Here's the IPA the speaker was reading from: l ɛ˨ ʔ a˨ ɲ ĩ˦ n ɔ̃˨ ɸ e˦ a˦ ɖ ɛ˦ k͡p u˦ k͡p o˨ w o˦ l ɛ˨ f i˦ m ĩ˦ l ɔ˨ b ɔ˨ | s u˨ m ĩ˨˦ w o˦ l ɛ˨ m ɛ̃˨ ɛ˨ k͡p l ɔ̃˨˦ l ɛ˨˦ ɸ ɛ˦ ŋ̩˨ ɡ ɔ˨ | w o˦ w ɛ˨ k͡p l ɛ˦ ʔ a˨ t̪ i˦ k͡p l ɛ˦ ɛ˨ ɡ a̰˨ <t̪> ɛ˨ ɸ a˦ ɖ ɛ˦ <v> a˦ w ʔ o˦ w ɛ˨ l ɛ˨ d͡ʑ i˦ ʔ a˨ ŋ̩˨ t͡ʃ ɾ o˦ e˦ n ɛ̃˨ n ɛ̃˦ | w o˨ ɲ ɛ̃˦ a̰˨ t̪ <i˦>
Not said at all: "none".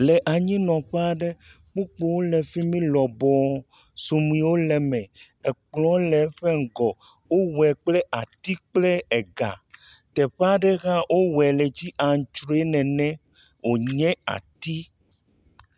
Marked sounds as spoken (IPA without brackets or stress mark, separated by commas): t̪, ɣ, i˦